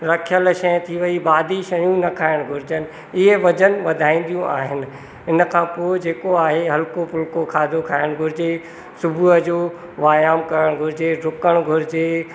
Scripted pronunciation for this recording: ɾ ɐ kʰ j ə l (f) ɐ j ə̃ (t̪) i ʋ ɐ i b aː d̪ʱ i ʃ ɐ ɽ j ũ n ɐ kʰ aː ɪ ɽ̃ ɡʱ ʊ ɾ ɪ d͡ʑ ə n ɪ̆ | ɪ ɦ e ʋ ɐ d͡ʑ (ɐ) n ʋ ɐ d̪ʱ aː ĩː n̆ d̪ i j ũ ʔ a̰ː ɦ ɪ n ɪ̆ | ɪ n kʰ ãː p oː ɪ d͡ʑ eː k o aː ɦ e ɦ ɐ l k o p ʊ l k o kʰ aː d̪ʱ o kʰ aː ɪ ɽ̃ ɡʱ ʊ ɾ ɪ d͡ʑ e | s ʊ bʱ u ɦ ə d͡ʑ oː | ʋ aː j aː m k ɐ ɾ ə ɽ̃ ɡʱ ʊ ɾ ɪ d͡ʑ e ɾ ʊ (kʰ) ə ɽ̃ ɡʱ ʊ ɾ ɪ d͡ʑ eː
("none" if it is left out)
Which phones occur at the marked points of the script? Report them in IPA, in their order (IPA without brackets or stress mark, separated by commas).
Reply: ʃ, t̪ʰ, ə, k